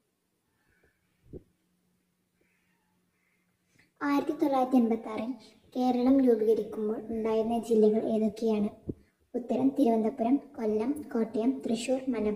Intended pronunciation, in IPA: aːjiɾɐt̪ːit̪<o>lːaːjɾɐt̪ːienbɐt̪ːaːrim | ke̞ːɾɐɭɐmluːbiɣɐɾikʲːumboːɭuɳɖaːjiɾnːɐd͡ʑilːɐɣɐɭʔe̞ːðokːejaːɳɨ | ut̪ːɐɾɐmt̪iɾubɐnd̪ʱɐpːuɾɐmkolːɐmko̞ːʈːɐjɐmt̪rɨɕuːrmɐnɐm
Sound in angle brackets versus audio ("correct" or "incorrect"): correct